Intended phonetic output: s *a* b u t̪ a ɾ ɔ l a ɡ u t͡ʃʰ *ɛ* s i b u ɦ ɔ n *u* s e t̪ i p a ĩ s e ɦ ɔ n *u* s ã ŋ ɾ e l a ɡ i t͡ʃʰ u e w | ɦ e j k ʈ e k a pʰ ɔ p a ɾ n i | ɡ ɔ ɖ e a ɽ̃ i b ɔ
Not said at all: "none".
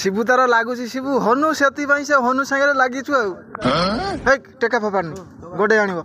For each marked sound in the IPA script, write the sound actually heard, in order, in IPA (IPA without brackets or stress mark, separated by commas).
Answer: i, i, u, u